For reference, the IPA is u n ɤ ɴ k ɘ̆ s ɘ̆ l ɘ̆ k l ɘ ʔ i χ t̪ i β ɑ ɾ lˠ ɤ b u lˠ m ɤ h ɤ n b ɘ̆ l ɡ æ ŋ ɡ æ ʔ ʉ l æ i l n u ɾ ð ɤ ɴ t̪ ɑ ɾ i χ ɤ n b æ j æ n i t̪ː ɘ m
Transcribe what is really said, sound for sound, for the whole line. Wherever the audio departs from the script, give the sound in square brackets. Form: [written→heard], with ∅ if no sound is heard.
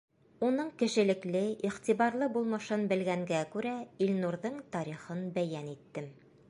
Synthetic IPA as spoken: u n ɤ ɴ k ɘ̆ [s→ʃ] ɘ̆ l ɘ̆ k l ɘ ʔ i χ t̪ i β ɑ ɾ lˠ ɤ b u lˠ m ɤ [h→ʃ] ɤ n b ɘ̆ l ɡ æ ŋ ɡ æ [ʔ→k] ʉ [l→ɾ] æ i l n u ɾ ð ɤ ɴ t̪ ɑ ɾ i χ ɤ n b æ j æ n i t̪ː ɘ m